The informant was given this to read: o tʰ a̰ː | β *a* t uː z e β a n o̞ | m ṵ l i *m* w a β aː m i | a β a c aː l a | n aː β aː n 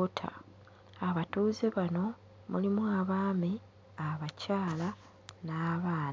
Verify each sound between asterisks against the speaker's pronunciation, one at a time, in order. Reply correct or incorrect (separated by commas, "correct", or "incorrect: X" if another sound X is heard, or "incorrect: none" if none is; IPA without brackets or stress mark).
correct, correct